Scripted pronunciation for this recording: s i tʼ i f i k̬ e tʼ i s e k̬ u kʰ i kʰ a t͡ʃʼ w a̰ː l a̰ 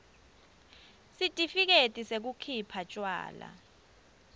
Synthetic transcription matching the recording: s i tʼ i f i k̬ e tʼ i s e k̬ u kʰ i pʰ a t͡ʃʼ w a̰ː l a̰